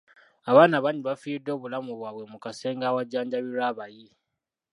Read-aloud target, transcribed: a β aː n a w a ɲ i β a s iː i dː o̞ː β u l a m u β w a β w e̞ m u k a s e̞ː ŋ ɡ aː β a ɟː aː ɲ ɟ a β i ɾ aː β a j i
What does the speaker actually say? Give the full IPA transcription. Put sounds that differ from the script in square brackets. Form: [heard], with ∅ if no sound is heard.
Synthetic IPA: a β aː n a [β] a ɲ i β a [f] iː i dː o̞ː β u l a m u β w a β w e̞ m u k a s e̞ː ŋ ɡ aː [w] a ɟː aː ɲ ɟ a β i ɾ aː β a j i